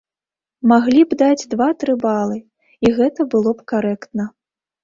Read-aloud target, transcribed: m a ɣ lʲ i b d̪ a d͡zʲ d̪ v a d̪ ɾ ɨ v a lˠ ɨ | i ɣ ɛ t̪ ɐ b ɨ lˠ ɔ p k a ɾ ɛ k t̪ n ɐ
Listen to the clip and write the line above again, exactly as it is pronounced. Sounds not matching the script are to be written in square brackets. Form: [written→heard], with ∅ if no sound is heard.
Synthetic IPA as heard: m a ɣ lʲ i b d̪ a d͡zʲ d̪ v a [d̪→t̪] ɾ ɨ [v→b] a lˠ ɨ | i ɣ ɛ t̪ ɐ b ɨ lˠ ɔ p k a ɾ ɛ k t̪ n ɐ